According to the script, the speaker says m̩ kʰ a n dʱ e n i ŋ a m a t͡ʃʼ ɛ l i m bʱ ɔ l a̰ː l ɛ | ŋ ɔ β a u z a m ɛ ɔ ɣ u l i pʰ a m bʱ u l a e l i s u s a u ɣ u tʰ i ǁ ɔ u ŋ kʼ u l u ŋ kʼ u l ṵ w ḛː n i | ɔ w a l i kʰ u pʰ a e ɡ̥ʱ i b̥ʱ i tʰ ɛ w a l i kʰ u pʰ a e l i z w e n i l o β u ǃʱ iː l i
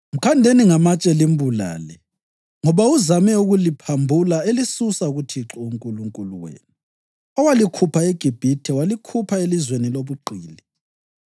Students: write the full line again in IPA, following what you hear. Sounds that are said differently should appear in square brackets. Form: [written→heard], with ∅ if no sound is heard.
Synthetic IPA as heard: m̩ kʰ a n dʱ e n i ŋ a m a t͡ʃʼ ɛ l i m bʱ [ɔ→u] l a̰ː l ɛ | ŋ ɔ β a u z a m ɛ [ɔ→u] ɣ u l i pʰ a m bʱ u l a e l i s u s a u ɣ u tʰ i ǁ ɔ u ŋ kʼ u l u ŋ kʼ u l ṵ w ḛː n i | ɔ w a l i kʰ u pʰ a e ɡ̥ʱ i b̥ʱ i tʰ ɛ w a l i kʰ u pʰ a e l i z w e n i l o β u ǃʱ iː l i

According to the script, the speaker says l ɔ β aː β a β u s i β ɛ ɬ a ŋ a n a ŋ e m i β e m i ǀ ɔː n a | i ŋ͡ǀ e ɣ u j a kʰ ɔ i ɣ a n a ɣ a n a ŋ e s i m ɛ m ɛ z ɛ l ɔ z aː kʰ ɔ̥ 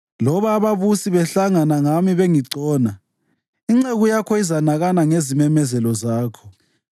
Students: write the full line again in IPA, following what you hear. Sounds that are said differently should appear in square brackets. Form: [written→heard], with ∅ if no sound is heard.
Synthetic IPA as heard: l ɔ β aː β a β u s i β ɛ ɬ a ŋ a n a ŋ [e→a] m i β e [m→ŋ] i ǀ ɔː n a | i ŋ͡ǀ e ɣ u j a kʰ ɔ i [ɣ→z] a n a ɣ a n a ŋ e [s→z] i m ɛ m ɛ z ɛ l ɔ z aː kʰ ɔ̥

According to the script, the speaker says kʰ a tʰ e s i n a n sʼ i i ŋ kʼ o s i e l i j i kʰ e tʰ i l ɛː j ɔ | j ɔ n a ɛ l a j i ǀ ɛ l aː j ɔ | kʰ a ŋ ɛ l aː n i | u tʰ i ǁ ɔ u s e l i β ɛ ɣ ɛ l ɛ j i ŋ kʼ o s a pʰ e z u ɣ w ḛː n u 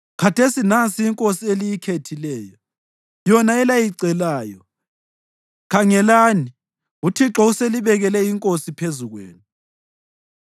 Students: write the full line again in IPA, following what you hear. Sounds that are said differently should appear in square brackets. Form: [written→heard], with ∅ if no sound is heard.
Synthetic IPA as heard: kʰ a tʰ e s i n a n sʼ i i ŋ kʼ o s i e l i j i kʰ e tʰ i l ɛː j ɔ | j ɔ n a ɛ l a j i ǀ ɛ l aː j ɔ | kʰ a ŋ ɛ l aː n i | u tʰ i ǁ ɔ u s e l i β ɛ ɣ ɛ l ɛ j i ŋ kʼ o s [a→i] pʰ e z u ɣ w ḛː n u

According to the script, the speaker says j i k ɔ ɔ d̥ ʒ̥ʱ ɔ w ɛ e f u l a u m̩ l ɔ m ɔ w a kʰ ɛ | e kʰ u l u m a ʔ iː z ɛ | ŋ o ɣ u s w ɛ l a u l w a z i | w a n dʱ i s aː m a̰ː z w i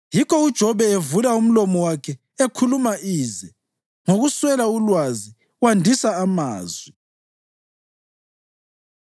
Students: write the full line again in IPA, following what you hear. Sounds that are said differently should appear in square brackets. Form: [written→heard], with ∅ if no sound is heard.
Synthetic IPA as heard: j i k ɔ [ɔ→u] d̥ ʒ̥ʱ ɔ [w→β] ɛ e [f→v] u l a u m̩ l ɔ m ɔ w a kʰ ɛ | e kʰ u l u m a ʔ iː z ɛ | ŋ o ɣ u s w ɛ l a u l w a z i | w a n dʱ i s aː m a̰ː z w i

